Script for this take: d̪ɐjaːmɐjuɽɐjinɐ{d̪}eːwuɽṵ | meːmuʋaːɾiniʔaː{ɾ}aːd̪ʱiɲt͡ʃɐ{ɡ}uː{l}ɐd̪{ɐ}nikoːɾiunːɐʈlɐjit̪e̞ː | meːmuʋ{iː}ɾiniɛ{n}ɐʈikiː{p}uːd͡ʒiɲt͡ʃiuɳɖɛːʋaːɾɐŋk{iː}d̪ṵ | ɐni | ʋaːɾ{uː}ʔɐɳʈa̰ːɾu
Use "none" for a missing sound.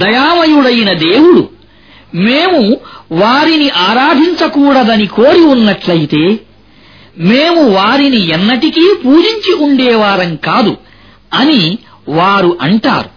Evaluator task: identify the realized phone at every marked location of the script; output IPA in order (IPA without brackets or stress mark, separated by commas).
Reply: d̪, ɾ, k, ɽ, ɐ, aː, nː, p, aː, u